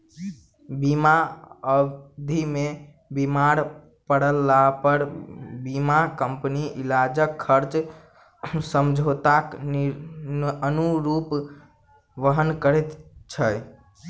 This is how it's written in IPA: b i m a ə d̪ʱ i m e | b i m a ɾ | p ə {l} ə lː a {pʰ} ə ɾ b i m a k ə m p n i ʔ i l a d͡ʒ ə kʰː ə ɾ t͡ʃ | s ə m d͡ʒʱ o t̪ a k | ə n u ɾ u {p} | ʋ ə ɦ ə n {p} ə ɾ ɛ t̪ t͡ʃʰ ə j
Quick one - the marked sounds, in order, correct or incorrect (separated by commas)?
incorrect, incorrect, correct, incorrect